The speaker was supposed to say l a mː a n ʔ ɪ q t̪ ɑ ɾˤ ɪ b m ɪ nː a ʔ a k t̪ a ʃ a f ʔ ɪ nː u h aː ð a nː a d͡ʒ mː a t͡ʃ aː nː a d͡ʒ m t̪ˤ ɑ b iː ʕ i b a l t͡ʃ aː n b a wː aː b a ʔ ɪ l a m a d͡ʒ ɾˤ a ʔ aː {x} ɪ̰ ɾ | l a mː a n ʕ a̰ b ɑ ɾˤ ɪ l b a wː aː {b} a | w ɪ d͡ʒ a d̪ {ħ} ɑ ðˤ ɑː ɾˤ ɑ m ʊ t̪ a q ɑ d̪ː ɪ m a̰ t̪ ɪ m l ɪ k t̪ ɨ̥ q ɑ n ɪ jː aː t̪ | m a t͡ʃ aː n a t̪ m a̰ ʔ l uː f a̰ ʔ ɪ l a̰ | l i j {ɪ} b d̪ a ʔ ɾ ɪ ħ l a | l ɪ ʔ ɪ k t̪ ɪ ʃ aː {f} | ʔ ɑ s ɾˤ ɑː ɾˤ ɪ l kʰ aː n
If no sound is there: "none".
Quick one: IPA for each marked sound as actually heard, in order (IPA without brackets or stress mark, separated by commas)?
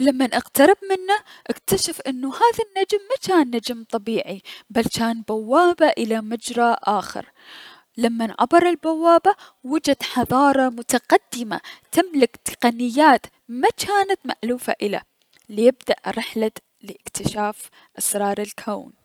x, b, ħ, ɪ, f